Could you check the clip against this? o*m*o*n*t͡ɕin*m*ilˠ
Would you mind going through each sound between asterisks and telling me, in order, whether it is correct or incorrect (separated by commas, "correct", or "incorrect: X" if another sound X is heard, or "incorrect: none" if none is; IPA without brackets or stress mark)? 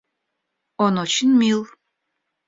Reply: incorrect: n, incorrect: none, correct